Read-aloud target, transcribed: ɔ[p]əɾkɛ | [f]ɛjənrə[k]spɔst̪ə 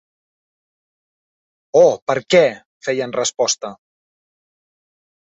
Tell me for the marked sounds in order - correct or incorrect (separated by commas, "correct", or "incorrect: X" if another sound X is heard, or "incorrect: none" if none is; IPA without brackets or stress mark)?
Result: correct, correct, incorrect: none